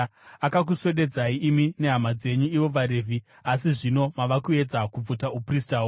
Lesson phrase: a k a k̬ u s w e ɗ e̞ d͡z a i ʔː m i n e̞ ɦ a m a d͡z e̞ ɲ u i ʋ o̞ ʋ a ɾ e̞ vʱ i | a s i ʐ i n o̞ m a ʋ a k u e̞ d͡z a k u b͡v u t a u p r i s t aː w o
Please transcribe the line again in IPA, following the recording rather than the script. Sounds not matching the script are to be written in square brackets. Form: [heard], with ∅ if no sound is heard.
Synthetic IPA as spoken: a k a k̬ u s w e ɗ e̞ d͡z a i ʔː m i n e̞ ɦ a m a d͡z e̞ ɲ u i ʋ o̞ ʋ a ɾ e̞ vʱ i | a s i ʐ i n o̞ m a ʋ a k u e̞ d͡z a k u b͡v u t a u p r i s t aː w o